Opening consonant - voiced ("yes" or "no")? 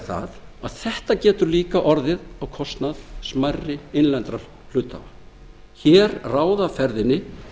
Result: no